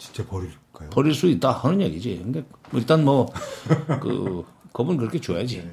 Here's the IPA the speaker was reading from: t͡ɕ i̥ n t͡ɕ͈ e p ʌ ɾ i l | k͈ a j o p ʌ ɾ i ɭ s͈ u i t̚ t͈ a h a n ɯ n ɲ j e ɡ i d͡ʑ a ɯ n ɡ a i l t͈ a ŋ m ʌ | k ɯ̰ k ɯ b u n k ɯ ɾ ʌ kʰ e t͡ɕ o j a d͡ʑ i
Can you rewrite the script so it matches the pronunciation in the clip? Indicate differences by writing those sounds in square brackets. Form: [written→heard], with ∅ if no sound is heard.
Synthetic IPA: t͡ɕ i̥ n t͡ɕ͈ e p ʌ ɾ i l | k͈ a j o p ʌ ɾ i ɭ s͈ u i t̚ t͈ a h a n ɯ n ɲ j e ɡ i d͡ʑ [a→i] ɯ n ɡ [a→e] i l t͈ a [ŋ→n] m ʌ | k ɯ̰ k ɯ b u n k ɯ ɾ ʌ kʰ e t͡ɕ o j a d͡ʑ i